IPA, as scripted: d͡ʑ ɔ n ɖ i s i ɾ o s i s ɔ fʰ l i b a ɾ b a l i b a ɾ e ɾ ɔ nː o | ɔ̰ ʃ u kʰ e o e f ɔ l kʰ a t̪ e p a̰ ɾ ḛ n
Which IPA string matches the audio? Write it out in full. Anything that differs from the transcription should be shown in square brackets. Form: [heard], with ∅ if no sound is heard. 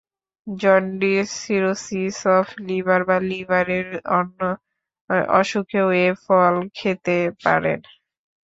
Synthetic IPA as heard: d͡ʑ ɔ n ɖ i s i ɾ o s i s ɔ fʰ l i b a ɾ b a l i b a ɾ e ɾ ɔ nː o | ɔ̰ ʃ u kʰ e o e f ɔ l kʰ [e] t̪ e p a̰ ɾ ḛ n